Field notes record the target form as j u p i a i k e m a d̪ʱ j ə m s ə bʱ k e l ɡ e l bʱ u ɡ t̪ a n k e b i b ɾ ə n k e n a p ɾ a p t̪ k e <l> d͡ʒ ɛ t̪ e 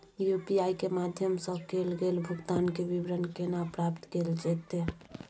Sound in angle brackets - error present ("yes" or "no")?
no